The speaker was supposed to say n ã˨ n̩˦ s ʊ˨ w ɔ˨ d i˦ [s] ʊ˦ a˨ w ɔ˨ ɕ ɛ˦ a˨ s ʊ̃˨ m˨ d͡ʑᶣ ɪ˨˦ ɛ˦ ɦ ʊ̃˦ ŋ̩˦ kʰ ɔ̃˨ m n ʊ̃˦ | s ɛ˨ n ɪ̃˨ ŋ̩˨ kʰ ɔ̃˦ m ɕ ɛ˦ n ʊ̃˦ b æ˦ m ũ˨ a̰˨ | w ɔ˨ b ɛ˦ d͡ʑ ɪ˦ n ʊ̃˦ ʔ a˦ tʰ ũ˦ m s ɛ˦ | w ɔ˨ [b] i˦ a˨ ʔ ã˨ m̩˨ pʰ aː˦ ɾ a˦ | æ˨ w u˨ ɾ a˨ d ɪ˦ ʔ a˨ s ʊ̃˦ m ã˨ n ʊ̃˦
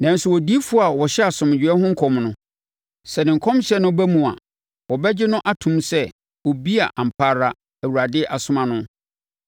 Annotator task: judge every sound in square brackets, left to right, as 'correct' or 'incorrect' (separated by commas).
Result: incorrect, correct